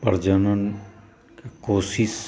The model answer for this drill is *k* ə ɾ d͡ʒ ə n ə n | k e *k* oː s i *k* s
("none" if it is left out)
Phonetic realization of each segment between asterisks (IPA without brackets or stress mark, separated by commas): p, k, none